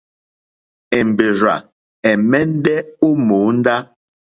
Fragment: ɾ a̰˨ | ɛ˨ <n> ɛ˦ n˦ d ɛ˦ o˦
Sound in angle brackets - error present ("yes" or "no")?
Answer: yes